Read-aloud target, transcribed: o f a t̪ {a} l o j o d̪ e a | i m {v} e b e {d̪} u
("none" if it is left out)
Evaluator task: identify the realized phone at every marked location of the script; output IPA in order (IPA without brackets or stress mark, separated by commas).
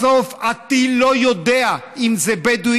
i, z, d̪